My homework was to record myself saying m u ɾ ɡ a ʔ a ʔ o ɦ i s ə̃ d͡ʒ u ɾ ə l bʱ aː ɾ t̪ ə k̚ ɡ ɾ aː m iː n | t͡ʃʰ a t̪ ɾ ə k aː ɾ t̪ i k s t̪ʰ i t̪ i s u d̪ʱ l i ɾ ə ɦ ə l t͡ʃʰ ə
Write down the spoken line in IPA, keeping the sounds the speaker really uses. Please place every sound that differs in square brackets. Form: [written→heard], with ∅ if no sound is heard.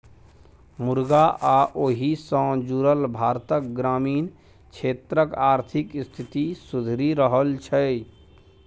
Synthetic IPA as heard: m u ɾ ɡ a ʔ a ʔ o ɦ i s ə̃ d͡ʒ u ɾ ə l bʱ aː ɾ t̪ ə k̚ ɡ ɾ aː m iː n | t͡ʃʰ [a→e] t̪ ɾ ə k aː ɾ [t̪→t̪ʰ] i k s t̪ʰ i t̪ i s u d̪ʱ [l→ɾ] i ɾ ə ɦ ə l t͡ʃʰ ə